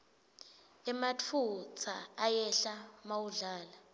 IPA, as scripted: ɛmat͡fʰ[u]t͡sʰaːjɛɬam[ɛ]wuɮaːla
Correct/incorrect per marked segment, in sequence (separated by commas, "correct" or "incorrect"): correct, incorrect